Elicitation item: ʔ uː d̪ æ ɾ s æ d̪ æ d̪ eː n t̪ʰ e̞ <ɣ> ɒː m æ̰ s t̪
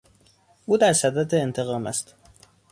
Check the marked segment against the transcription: correct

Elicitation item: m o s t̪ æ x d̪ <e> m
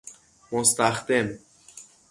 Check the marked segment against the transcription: correct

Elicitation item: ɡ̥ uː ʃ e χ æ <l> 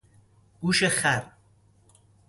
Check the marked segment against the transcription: incorrect: ɾ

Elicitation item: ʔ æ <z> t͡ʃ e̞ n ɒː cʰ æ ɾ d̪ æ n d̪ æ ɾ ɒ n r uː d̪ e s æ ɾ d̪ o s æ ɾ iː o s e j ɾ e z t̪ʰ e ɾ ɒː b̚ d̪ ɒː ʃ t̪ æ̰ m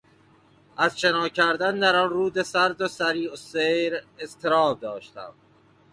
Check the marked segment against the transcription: correct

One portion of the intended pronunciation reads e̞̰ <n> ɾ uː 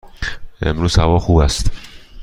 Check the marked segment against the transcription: incorrect: m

